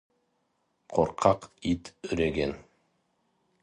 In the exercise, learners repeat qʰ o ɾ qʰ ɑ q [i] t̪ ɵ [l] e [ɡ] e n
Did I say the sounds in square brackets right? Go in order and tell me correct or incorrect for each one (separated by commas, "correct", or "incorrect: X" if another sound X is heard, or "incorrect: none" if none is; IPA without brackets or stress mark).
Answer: correct, incorrect: ɾ, correct